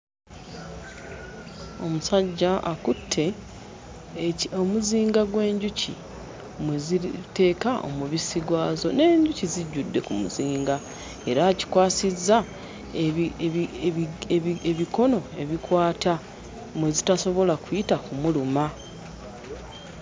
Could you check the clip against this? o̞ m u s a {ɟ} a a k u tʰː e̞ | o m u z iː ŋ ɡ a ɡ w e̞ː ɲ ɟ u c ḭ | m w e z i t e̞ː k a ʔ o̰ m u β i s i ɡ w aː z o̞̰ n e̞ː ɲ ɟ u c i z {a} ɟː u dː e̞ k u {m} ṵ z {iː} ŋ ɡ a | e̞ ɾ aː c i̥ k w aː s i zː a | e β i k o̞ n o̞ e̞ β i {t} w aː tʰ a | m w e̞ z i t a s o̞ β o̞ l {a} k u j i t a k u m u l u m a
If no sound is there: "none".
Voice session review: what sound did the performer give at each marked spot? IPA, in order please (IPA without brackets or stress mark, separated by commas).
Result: ɟː, i, m, iː, k, a